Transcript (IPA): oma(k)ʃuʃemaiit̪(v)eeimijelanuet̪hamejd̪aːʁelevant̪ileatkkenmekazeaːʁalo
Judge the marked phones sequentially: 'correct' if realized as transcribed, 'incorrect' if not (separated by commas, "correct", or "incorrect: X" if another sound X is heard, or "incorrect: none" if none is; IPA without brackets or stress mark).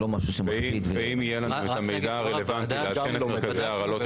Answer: incorrect: none, correct